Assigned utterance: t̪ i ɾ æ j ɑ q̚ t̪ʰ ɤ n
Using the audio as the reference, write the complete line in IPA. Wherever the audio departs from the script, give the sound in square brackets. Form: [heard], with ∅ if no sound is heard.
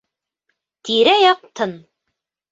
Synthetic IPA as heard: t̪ i ɾ æ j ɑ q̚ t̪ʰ ɤ n